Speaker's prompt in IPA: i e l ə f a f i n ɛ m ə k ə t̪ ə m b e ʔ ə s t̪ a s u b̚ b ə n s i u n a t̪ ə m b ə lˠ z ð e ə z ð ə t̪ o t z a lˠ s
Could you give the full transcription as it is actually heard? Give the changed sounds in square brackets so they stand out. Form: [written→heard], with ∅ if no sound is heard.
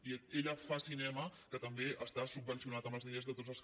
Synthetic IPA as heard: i e [l→ʎ] ə f a [f→s] i n ɛ m ə k ə t̪ ə m b e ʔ ə s t̪ a s u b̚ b ə n s i u n a t̪ ə m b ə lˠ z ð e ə z ð ə t̪ o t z [a→ə] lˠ s

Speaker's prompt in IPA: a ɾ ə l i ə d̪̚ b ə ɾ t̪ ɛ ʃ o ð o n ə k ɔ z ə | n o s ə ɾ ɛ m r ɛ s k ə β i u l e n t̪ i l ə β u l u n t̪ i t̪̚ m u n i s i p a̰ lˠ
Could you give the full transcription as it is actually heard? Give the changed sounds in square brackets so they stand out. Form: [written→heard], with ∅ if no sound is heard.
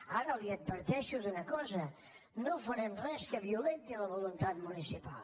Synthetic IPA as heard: a ɾ ə l i ə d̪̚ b ə ɾ t̪ ɛ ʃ [o→u] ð [o→u] n ə k ɔ z ə | n o [s→f] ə ɾ ɛ m r ɛ s k ə β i u l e n t̪ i l ə β u l u n t̪ [i→a] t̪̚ m u n i s i p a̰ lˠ

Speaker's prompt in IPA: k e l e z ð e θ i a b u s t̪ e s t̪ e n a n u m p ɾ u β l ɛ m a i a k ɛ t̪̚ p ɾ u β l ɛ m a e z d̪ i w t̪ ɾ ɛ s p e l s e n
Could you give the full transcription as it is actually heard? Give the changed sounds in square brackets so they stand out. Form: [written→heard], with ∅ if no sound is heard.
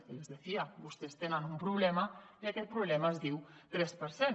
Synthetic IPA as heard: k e l e z ð e θ i a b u s t̪ e s t̪ e n a n u m p ɾ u β l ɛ m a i a k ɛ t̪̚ p ɾ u β l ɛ m a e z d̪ i w t̪ ɾ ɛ s p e [l→ɾ] s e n

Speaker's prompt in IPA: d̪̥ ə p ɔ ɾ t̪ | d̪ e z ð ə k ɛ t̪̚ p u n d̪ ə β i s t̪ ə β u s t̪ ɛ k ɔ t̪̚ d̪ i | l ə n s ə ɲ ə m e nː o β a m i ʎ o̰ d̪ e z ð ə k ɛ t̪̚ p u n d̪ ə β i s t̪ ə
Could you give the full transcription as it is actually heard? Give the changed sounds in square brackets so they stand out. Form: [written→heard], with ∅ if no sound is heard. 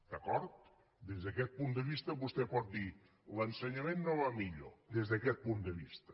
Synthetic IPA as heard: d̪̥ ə [p→k] ɔ ɾ t̪ | d̪ e z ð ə k ɛ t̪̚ p u n d̪ ə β i s t̪ ə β u s t̪ ɛ [k→p] ɔ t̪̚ d̪ i | l ə n s ə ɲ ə m e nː o β a m i ʎ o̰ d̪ e z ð ə k ɛ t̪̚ p u n d̪ ə β i s t̪ ə

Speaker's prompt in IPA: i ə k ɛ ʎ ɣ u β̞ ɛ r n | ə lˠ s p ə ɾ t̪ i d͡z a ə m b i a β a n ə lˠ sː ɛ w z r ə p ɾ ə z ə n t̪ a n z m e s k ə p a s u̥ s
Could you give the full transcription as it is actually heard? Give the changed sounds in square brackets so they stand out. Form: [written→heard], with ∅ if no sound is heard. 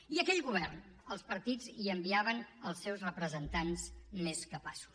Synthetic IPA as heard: i ə k ɛ ʎ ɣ u β̞ ɛ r n | ə lˠ s p ə ɾ t̪ i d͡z [a→i] ə m b i a β [a→ə] n ə lˠ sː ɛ w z r ə p ɾ ə z ə n t̪ a n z m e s k ə p a s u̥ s

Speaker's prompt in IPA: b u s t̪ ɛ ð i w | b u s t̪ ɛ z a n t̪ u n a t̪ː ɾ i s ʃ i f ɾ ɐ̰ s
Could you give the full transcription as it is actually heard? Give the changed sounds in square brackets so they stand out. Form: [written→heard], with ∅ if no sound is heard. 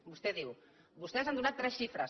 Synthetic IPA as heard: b u s t̪ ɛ ð i w | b u s t̪ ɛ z a n [t̪→d̪] u n a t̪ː ɾ [i→ɛ] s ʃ i f ɾ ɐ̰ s

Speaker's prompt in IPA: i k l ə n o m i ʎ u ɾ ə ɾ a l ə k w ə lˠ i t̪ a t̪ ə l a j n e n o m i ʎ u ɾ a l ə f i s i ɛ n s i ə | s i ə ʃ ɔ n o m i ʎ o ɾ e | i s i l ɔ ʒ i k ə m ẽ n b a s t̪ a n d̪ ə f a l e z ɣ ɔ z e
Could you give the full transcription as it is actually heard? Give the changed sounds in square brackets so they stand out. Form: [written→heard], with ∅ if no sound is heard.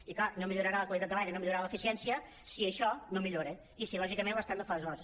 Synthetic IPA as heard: i k l [ə→a] n o m i ʎ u ɾ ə ɾ a l ə k w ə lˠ i t̪ a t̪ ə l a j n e n o m i ʎ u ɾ a l ə f i s i ɛ n s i ə | s i ə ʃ ɔ n o m i ʎ o ɾ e | i s i l ɔ ʒ i k ə m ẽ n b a s t̪ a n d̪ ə f a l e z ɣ ɔ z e

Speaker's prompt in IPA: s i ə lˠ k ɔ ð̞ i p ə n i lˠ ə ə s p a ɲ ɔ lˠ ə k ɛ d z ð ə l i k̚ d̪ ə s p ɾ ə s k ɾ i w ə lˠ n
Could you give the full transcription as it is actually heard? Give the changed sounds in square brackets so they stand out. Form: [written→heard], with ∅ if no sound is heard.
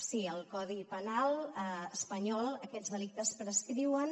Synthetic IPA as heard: s i ə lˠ k ɔ ð̞ i p ə n [i→a] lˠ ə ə s p [a→ə] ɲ ɔ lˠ ə k ɛ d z ð ə l i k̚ [d̪→t̪] ə s p ɾ ə s k ɾ i w ə [lˠ→∅] n

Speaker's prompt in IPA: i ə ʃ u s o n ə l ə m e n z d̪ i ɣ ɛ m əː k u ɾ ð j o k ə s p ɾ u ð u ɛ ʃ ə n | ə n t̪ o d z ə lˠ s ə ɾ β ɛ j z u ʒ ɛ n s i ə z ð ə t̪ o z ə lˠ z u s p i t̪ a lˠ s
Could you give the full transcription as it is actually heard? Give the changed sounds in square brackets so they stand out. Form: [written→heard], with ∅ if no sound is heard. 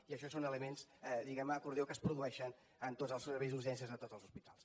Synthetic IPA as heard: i ə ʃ [u→ɔ] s o n ə l ə m e n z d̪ i ɣ ɛ m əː k u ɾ ð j o k ə s p ɾ u ð u ɛ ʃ ə n | ə n t̪ o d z ə lˠ s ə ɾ β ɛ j z u ʒ ɛ n s i ə z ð ə t̪ o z ə lˠ z u s p i t̪ a lˠ s

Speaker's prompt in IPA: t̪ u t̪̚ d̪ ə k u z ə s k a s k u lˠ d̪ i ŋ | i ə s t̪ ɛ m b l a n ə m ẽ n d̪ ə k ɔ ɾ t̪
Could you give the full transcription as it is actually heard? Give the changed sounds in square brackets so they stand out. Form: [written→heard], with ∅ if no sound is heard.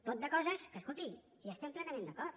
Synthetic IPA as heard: t̪ [u→o] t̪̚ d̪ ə k [u→ɔ] z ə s k [a→ə] s k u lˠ [d̪→t̪] i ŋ | i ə s t̪ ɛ m [b→p] l [a→ɛ] n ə m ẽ n d̪ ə k ɔ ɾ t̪

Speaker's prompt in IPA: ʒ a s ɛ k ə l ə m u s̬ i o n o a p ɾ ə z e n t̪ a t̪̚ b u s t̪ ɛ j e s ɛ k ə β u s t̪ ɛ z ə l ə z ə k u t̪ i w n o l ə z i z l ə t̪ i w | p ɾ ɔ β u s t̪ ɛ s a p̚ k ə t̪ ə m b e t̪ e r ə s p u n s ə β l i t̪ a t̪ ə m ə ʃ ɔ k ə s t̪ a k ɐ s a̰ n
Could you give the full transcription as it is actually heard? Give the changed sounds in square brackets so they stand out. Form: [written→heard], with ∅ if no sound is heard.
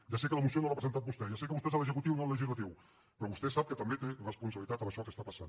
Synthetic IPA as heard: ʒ a s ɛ k ə l ə m u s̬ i o n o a p ɾ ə z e n t̪ a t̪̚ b u s t̪ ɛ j [e→a] s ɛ k ə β u s t̪ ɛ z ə l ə z ə k u t̪ i w n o l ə [z→ʒ] i z l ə t̪ i w | p ɾ ɔ β u s t̪ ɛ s a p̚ k ə t̪ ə m b e t̪ e r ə s p u n s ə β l i t̪ a t̪ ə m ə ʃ ɔ k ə s t̪ a [k→p] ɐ s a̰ n

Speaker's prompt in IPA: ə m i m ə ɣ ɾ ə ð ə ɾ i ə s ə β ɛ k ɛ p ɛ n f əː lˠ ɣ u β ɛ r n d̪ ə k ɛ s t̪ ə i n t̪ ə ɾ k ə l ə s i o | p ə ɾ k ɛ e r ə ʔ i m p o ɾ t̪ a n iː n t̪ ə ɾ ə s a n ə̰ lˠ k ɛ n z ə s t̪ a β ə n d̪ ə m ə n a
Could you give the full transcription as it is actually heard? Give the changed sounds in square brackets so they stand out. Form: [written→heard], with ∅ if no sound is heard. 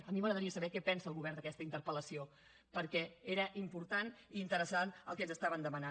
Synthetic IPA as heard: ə m i m ə ɣ ɾ ə ð ə ɾ i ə s ə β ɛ k ɛ p ɛ n [f→s] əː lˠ ɣ u β ɛ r n d̪ ə k ɛ s t̪ ə i n t̪ ə ɾ [k→p] ə l ə s i o | p ə ɾ k ɛ e [r→ɾ] ə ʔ i m p [o→u] ɾ t̪ a n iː n t̪ ə ɾ ə s a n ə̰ lˠ k ɛ n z ə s t̪ a β ə n d̪ ə m ə n a

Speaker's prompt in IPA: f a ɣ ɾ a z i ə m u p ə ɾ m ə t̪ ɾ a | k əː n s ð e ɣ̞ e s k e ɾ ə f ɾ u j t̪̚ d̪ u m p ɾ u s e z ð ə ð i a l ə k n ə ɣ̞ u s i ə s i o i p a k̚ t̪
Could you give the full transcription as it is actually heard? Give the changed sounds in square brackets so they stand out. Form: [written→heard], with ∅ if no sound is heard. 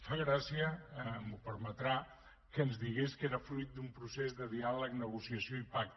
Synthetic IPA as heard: f a ɣ ɾ a [z→s] i ə m u p ə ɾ m ə t̪ ɾ a | k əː n [s→z] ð [e→i] ɣ̞ e s k e ɾ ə f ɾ u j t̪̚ d̪ u m p ɾ u s e z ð ə ð i a l ə k n ə ɣ̞ u s i ə s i o i p a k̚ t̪

